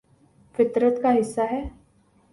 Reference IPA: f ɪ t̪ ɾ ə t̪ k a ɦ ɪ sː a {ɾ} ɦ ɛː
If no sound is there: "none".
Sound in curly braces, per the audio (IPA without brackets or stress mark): none